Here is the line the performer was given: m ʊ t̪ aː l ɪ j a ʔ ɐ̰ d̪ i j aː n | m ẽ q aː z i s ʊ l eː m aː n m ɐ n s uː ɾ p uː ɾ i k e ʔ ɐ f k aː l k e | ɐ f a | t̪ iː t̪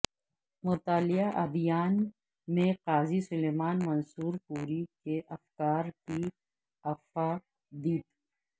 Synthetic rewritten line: m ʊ t̪ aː l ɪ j a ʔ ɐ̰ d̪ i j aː n | m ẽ q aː z i s ʊ l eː m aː n m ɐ n s uː ɾ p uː ɾ i k e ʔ ɐ f k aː ɾ k i | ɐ f a | d̪ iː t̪